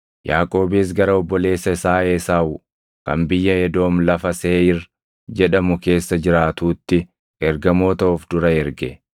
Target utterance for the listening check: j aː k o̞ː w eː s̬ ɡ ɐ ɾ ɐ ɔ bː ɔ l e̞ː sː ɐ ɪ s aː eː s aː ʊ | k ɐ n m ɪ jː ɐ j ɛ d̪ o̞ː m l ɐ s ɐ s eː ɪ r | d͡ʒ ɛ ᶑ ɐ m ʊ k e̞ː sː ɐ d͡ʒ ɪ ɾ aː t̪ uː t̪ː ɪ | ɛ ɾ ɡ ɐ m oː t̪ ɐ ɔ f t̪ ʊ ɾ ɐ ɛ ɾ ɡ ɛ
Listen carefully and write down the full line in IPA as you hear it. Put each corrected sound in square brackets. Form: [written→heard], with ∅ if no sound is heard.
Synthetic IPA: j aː [k→kʼ] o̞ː [w→b] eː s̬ ɡ ɐ ɾ ɐ ɔ bː ɔ l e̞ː sː ɐ ɪ s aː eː s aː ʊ | k ɐ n [m→b] ɪ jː ɐ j ɛ d̪ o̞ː m l ɐ [s→f] ɐ s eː ɪ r | d͡ʒ ɛ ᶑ ɐ m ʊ k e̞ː sː ɐ d͡ʒ ɪ ɾ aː t̪ uː t̪ː ɪ | ɛ ɾ ɡ ɐ m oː t̪ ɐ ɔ f [t̪→d̪] ʊ ɾ ɐ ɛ ɾ ɡ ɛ